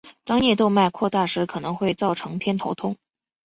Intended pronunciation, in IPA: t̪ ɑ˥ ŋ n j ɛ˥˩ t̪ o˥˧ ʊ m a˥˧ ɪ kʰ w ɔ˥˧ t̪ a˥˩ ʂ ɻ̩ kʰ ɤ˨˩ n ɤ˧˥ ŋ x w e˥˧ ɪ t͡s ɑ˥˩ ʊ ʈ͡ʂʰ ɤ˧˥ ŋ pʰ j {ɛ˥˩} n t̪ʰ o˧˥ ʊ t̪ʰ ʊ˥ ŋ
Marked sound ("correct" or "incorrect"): incorrect